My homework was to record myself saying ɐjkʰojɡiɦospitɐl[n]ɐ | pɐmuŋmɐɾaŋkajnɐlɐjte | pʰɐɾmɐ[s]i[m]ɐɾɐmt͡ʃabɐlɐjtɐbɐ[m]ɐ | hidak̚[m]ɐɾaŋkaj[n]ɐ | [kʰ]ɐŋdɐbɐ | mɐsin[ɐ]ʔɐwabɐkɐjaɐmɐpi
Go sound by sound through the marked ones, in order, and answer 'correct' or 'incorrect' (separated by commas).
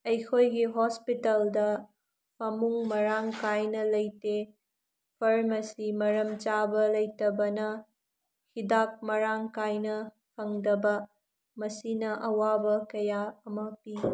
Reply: incorrect, correct, correct, incorrect, correct, correct, incorrect, correct